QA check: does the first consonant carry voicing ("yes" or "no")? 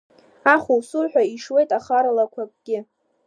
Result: no